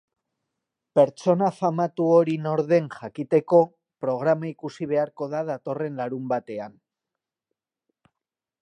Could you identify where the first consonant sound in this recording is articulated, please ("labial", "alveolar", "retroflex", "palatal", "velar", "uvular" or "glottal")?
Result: labial